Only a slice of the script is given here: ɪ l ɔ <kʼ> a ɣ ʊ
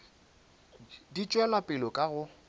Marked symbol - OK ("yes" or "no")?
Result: yes